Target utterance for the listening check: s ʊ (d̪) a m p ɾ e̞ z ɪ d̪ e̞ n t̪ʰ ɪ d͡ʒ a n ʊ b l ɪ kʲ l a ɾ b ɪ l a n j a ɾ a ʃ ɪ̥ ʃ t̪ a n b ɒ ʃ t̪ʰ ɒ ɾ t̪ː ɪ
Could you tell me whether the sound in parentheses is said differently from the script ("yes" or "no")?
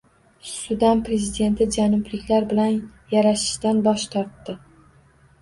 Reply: no